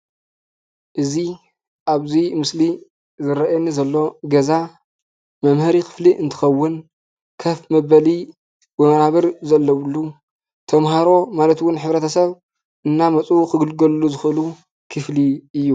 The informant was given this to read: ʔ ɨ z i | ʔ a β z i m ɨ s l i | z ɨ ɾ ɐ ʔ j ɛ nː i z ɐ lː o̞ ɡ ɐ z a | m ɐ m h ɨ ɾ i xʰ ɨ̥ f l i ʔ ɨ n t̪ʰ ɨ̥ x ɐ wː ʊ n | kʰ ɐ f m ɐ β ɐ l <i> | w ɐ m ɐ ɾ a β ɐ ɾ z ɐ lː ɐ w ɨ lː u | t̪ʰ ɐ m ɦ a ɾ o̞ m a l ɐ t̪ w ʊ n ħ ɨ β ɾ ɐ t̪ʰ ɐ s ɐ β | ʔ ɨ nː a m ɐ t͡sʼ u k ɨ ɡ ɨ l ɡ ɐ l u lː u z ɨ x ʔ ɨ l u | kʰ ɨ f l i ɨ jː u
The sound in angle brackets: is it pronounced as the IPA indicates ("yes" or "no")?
yes